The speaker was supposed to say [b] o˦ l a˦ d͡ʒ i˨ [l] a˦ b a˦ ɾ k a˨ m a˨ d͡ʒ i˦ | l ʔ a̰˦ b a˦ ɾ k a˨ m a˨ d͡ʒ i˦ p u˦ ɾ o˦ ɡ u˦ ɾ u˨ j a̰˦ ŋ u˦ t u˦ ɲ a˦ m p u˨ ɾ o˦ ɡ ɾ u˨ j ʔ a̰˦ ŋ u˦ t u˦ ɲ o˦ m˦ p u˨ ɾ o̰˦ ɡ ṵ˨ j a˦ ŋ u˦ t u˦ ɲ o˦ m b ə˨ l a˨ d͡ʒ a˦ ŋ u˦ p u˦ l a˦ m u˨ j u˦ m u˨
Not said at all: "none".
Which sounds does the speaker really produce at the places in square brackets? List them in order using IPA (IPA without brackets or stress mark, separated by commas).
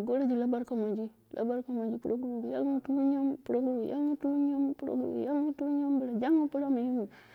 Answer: ɡ, l